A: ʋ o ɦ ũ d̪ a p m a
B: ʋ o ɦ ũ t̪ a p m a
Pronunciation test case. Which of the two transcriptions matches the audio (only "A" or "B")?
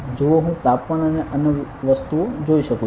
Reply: B